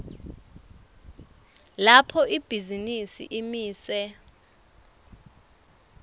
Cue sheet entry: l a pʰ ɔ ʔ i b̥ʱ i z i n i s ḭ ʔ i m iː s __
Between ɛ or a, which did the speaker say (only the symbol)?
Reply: ɛ